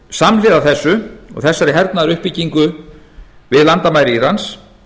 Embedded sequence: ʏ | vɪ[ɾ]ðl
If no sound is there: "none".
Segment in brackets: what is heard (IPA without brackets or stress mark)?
none